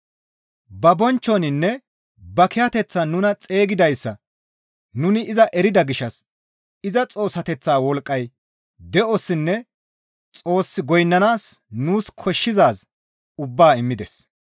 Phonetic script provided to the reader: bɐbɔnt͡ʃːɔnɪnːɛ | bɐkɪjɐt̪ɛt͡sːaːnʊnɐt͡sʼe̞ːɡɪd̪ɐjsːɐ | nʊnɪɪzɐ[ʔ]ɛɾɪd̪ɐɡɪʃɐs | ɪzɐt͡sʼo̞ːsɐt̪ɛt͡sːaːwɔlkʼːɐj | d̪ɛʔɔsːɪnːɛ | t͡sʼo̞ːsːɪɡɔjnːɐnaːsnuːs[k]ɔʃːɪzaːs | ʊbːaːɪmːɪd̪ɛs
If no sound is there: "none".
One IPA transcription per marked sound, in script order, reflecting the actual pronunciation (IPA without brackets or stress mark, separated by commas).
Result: ʔ, kʰ